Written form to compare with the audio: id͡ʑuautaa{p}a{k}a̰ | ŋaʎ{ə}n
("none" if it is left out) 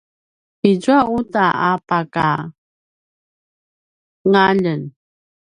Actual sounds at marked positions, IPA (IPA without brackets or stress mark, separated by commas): p, k, ə